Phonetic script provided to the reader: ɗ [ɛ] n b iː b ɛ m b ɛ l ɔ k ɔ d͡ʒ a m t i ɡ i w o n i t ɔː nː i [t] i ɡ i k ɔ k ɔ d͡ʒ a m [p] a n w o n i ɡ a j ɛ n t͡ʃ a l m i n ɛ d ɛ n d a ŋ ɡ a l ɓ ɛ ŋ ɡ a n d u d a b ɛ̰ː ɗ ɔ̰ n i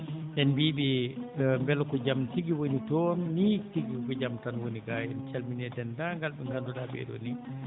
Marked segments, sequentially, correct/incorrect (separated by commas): correct, correct, incorrect